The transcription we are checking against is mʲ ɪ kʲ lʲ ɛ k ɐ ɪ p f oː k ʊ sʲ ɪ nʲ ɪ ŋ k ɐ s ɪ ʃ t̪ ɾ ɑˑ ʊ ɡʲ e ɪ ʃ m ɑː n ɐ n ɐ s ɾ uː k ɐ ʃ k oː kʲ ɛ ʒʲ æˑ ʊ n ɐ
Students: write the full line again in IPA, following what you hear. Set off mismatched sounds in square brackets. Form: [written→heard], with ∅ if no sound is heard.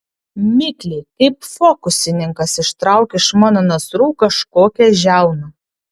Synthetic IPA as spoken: mʲ ɪ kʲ lʲ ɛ k ɐ ɪ p f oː k ʊ sʲ ɪ nʲ ɪ ŋ k ɐ s ɪ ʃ t̪ ɾ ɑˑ ʊ [ɡʲ→kʲ] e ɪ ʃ m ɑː n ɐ n ɐ s ɾ uː k ɐ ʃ k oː kʲ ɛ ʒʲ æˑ ʊ n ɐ

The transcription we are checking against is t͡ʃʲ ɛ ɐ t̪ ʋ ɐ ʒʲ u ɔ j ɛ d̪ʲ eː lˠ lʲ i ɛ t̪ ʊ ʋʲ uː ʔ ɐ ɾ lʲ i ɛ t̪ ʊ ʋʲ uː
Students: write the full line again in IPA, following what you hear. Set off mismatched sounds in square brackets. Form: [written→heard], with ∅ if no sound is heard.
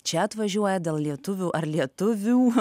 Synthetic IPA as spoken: t͡ʃʲ ɛ ɐ t̪ ʋ ɐ ʒʲ u ɔ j ɛ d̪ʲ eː lˠ lʲ i ɛ t̪ ʊ ʋʲ uː ʔ ɐ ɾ lʲ i ɛ t̪ ʊ ʋʲ uː

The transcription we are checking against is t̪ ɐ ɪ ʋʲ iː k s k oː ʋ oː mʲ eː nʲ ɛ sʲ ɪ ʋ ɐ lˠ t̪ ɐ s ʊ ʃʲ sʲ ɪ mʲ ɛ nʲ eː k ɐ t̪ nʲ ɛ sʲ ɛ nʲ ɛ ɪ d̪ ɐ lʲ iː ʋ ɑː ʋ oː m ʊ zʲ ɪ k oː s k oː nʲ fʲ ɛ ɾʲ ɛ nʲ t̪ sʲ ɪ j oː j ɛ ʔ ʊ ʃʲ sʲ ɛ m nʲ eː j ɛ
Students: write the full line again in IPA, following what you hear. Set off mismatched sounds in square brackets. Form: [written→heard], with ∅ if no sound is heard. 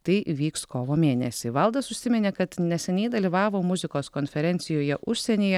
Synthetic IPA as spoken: t̪ ɐ ɪ ʋʲ iː k s k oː ʋ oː mʲ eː nʲ ɛ sʲ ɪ ʋ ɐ lˠ [t̪→d̪] ɐ s ʊ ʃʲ sʲ ɪ mʲ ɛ nʲ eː k ɐ t̪ nʲ ɛ sʲ ɛ nʲ ɛ ɪ d̪ ɐ lʲ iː ʋ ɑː ʋ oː m ʊ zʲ ɪ k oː s k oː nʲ fʲ ɛ ɾʲ ɛ nʲ t̪ sʲ ɪ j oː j ɛ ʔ ʊ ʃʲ sʲ ɛ [m→∅] nʲ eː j ɛ

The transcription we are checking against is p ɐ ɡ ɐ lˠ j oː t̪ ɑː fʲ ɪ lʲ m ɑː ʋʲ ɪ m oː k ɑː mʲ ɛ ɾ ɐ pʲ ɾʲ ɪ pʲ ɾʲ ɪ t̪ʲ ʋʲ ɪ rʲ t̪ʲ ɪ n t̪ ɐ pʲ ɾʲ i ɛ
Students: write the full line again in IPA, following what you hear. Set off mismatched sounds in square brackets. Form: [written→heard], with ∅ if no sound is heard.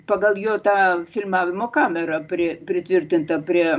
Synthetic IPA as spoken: p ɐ ɡ ɐ lˠ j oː t̪ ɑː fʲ ɪ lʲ m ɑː ʋʲ ɪ m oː k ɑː mʲ ɛ ɾ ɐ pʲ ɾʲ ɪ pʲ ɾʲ ɪ t̪ʲ ʋʲ ɪ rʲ t̪ʲ ɪ n t̪ ɐ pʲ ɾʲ i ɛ

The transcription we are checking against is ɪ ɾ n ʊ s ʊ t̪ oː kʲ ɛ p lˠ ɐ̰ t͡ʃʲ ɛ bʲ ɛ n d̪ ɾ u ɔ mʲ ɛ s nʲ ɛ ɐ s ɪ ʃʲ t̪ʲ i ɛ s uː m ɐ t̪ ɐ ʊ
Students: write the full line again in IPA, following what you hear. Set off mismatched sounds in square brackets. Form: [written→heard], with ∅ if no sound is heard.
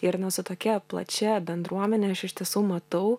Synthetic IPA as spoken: ɪ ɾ n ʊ s ʊ t̪ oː kʲ ɛ p lˠ ɐ̰ t͡ʃʲ ɛ bʲ ɛ n d̪ ɾ u ɔ mʲ ɛ [s→∅] nʲ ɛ ɐ [s→ʃ] ɪ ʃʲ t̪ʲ i ɛ s uː m ɐ t̪ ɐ ʊ

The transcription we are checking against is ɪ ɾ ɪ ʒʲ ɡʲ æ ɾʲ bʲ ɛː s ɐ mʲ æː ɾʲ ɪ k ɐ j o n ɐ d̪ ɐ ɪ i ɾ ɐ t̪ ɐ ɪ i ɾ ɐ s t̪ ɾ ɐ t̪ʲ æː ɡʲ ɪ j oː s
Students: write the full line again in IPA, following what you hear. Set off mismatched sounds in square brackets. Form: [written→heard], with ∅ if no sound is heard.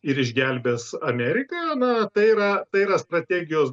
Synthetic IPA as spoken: ɪ ɾ ɪ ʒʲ ɡʲ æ [ɾʲ→lʲ] bʲ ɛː s ɐ mʲ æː ɾʲ ɪ k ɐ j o n ɐ [d̪→t̪] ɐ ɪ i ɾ ɐ t̪ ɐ ɪ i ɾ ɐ s t̪ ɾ ɐ t̪ʲ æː ɡʲ ɪ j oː s

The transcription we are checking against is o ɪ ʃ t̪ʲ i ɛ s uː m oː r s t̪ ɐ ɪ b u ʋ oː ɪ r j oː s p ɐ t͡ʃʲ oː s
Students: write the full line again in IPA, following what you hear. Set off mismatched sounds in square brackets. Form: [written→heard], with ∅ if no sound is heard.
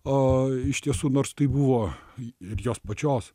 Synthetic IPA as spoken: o ɪ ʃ t̪ʲ i ɛ s uː [m→n] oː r s t̪ ɐ ɪ b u ʋ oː ɪ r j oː s p ɐ t͡ʃʲ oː s

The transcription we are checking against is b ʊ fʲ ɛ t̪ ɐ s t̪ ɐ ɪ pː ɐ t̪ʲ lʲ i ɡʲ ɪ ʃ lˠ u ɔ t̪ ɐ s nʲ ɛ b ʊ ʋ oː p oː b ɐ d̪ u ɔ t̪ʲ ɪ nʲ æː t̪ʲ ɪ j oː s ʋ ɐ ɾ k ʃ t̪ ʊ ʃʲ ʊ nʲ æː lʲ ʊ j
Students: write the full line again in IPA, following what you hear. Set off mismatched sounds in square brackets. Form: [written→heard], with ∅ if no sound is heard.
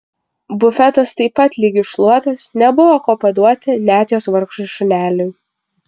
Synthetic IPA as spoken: b ʊ fʲ ɛ t̪ ɐ s t̪ ɐ ɪ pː ɐ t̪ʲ lʲ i ɡʲ ɪ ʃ lˠ u ɔ t̪ ɐ s nʲ ɛ b ʊ ʋ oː [p→k] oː [b→p] ɐ d̪ u ɔ t̪ʲ ɪ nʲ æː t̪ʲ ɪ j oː s ʋ ɐ ɾ k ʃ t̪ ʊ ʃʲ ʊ nʲ æː lʲ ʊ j

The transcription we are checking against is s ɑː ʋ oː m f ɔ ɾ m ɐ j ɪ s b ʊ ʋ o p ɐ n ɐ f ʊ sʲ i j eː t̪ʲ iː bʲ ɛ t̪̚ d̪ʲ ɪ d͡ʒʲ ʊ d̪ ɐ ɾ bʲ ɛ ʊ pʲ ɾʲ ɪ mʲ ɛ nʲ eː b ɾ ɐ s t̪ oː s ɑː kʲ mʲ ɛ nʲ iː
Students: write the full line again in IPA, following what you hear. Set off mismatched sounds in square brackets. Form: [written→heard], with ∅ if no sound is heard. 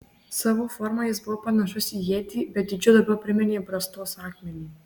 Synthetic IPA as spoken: s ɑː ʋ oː [m→∅] f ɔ ɾ m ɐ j ɪ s b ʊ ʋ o p ɐ n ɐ [f→ʃ] ʊ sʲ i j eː t̪ʲ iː bʲ ɛ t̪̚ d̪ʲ ɪ d͡ʒʲ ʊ d̪ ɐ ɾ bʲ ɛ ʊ pʲ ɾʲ ɪ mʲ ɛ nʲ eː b ɾ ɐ s t̪ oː s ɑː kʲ mʲ ɛ nʲ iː

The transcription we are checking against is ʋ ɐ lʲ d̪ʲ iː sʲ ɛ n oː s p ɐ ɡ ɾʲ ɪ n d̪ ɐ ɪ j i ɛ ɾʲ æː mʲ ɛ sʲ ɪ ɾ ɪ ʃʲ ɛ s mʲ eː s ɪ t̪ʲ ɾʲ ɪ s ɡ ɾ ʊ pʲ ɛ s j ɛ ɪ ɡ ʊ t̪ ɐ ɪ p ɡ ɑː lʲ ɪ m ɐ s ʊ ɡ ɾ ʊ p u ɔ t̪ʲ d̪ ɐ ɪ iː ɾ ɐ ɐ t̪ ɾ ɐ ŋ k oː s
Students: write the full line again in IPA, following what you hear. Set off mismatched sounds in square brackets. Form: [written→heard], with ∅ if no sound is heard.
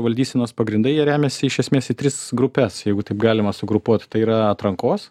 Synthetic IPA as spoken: ʋ ɐ lʲ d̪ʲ iː sʲ ɛ n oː s p ɐ ɡ ɾʲ ɪ n d̪ ɐ ɪ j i ɛ ɾʲ æː mʲ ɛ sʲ ɪ [ɾ→∅] ɪ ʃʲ ɛ s mʲ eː s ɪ t̪ʲ ɾʲ ɪ s ɡ ɾ ʊ pʲ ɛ s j ɛ ɪ ɡ ʊ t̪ ɐ ɪ p ɡ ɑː lʲ ɪ m ɐ s ʊ ɡ ɾ ʊ p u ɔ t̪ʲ [d̪→t̪] ɐ ɪ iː ɾ ɐ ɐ t̪ ɾ ɐ ŋ k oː s

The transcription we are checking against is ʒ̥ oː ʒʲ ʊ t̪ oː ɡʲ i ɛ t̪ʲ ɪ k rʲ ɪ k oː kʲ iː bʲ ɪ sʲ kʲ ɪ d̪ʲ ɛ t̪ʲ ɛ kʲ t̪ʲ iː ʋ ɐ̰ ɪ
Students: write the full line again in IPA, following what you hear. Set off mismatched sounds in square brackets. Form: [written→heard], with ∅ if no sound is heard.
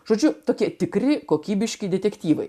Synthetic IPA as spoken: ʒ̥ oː [ʒʲ→d͡ʒʲ] ʊ t̪ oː [ɡʲ→kʲ] i ɛ t̪ʲ ɪ k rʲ ɪ k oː kʲ iː bʲ ɪ [sʲ→ʃʲ] kʲ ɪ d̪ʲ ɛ t̪ʲ ɛ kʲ t̪ʲ iː ʋ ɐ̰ ɪ

